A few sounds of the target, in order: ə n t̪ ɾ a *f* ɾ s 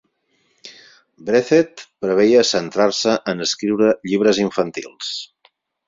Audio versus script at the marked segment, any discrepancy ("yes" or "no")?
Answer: yes